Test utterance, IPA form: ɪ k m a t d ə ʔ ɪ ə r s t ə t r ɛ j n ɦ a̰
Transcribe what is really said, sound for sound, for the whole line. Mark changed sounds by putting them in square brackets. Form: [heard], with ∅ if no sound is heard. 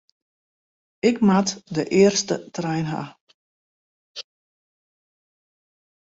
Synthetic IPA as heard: ɪ k m a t d ə ʔ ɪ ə r s t ə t r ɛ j n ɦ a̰